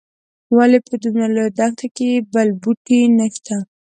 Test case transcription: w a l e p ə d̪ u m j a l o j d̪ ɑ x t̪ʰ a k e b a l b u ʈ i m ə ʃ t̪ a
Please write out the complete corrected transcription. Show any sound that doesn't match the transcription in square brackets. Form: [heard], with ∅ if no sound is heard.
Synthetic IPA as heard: w a l e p ə d̪ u m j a l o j d̪ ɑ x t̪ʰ a k e b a l b u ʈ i [n] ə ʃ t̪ a